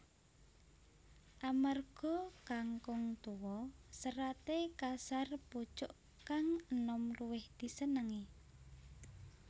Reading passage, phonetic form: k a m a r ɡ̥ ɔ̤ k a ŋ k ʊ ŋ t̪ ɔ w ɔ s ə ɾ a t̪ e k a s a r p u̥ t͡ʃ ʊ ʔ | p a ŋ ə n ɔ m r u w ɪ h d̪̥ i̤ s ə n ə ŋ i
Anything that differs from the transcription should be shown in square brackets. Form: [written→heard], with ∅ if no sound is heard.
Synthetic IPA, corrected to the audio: [k→ʔ] a m a r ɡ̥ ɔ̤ k a ŋ k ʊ ŋ t̪ [ɔ→u] w ɔ s ə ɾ a t̪ e k a s a r p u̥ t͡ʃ ʊ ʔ | [p→k] a ŋ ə n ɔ m r u w ɪ h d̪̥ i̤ s ə n ə ŋ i

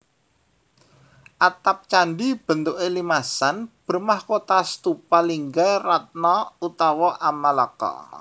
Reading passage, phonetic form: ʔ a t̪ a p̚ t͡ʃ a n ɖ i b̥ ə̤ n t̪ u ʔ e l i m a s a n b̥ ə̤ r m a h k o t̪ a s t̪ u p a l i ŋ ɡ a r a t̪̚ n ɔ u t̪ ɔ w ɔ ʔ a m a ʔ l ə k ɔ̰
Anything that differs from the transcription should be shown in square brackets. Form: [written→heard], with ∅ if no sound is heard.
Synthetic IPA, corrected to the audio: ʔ a t̪ a p̚ t͡ʃ a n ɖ i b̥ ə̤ n t̪ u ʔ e l i m a s a n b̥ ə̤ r m a h k o t̪ a s t̪ u p a l i ŋ ɡ a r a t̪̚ n ɔ u t̪ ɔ w ɔ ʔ a m a [ʔ→∅] l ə k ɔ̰

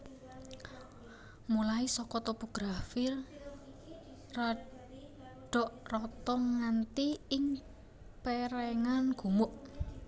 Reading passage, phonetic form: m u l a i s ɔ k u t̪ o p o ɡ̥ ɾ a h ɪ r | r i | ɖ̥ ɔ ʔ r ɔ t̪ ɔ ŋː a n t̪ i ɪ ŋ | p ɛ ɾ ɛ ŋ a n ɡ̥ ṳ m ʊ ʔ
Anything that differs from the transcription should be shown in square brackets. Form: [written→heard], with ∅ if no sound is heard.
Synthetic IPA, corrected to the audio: m u l a i s ɔ k [u→ɔ] t̪ o p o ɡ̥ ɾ a [h→f] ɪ r | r [i→a] | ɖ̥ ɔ ʔ r ɔ t̪ ɔ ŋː a n t̪ i ɪ ŋ | p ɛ ɾ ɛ ŋ a n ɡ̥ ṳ m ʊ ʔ

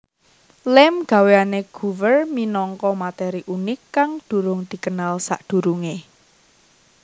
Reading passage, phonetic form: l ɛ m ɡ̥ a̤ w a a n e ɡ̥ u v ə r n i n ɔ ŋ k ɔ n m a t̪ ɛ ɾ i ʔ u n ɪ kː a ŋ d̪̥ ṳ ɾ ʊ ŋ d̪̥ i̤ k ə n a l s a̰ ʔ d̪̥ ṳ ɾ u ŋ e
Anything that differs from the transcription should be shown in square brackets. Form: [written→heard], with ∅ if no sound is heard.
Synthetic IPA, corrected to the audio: l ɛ m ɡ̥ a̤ w [a→e] a n e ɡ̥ u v ə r [n→m] i n ɔ ŋ k ɔ [n→∅] m a t̪ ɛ ɾ i ʔ u n ɪ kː a ŋ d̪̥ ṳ ɾ ʊ ŋ d̪̥ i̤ k ə n a l s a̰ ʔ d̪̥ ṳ ɾ u ŋ e

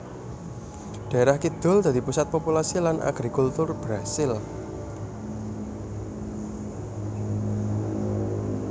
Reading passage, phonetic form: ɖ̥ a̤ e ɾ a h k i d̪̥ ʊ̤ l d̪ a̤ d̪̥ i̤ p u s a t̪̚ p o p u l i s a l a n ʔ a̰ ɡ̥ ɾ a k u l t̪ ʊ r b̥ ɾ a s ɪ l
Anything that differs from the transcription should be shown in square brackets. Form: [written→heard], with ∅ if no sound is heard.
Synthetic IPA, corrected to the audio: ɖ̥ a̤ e ɾ a h k i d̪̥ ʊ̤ l d̪ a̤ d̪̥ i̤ p u s a t̪̚ p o p u l [i→a] s [a→i] l a n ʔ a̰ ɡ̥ ɾ [a→i] k u l t̪ ʊ r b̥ ɾ a s ɪ l

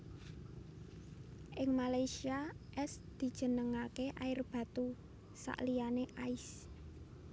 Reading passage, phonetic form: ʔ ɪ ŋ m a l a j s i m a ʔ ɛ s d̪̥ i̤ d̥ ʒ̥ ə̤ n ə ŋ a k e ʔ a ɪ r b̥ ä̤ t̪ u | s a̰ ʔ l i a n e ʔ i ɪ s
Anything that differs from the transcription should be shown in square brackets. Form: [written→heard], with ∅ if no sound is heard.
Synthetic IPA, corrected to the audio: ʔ ɪ ŋ m a l a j s i [m→∅] a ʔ ɛ s d̪̥ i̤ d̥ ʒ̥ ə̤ n ə ŋ a k e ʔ a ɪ r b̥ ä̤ t̪ u | s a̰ ʔ l i a n e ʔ [i→a] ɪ s

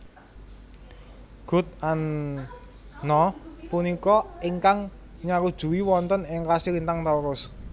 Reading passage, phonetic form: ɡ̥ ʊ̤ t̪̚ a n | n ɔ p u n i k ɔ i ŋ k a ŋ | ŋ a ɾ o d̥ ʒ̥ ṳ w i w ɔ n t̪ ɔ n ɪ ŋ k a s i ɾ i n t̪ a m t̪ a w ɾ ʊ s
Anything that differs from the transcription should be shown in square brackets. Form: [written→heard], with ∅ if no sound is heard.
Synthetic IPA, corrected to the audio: ɡ̥ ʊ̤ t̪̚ a n | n ɔ p u n i k ɔ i ŋ k a ŋ | [ŋ→ɲ] a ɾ [o→u] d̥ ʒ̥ ṳ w i w ɔ n t̪ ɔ n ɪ ŋ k a s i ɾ i n t̪ a [m→ŋ] t̪ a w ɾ ʊ s

